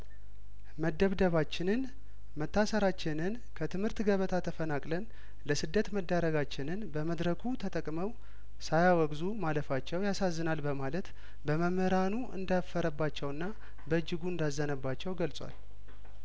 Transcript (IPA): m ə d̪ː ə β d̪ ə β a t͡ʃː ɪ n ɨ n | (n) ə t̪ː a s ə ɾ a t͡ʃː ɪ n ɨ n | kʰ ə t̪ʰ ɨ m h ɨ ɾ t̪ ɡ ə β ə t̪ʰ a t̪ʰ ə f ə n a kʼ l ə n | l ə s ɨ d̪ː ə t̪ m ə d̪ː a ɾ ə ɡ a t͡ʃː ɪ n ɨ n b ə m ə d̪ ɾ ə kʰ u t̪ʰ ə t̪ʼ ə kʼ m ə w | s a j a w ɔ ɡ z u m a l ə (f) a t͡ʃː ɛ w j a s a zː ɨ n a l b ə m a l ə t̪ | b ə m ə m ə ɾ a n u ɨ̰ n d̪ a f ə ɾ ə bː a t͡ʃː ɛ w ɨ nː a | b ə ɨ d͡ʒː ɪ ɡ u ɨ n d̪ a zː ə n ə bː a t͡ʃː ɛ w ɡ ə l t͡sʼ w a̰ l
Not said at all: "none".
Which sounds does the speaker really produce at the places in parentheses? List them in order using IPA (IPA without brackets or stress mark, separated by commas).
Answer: m, f